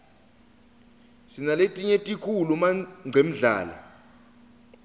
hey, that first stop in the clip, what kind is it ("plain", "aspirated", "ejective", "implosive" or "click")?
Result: ejective